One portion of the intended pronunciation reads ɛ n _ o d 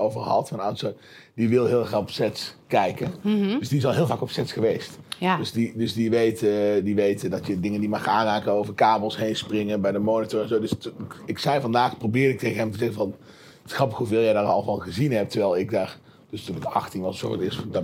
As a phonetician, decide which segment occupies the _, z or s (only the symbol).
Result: z